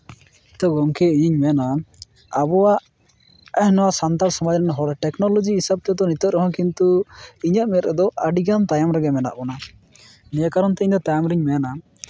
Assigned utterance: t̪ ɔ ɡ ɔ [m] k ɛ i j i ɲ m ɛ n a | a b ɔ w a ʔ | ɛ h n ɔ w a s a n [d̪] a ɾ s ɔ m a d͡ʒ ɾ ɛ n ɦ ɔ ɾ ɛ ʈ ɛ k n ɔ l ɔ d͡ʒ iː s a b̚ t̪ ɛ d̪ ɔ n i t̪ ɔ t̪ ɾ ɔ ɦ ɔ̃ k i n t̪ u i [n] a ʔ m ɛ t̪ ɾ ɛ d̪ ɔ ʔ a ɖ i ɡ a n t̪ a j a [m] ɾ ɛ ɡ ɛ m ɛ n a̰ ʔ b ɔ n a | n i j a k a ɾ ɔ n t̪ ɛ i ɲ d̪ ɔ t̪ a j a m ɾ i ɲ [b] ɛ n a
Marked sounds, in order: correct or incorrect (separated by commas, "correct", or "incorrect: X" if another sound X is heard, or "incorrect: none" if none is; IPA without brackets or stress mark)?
incorrect: ŋ, incorrect: t̪, incorrect: ɲ, correct, incorrect: m